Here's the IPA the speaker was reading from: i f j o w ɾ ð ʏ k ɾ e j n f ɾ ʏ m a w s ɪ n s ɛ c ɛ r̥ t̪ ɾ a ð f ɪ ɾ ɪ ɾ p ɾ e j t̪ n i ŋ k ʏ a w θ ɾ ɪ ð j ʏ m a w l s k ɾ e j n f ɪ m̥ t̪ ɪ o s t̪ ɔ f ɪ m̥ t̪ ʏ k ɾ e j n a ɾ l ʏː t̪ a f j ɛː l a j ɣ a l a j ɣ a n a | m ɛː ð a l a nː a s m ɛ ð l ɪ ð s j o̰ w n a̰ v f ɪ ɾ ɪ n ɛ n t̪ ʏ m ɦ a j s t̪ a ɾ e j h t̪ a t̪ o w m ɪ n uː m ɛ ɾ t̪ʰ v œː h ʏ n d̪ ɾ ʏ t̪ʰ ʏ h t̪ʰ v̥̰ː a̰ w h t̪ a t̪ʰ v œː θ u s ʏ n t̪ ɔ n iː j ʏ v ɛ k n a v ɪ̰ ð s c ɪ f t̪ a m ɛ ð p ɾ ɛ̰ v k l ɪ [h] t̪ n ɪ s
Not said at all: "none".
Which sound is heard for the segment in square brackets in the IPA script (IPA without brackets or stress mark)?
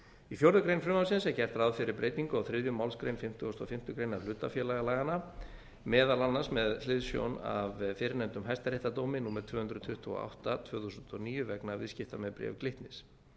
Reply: h